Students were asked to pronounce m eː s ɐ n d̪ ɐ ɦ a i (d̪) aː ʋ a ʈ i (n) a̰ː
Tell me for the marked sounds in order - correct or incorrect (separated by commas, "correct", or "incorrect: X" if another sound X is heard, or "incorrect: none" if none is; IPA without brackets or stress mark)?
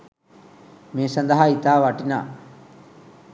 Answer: incorrect: t̪, correct